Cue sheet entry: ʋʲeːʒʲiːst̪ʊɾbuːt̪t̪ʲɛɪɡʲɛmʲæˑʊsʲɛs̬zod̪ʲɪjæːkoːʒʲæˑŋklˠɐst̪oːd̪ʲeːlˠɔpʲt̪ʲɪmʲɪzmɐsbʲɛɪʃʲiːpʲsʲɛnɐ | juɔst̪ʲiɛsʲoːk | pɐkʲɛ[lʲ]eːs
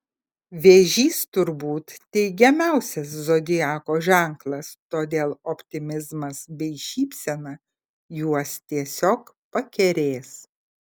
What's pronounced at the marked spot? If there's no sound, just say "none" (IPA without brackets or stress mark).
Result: ɾʲ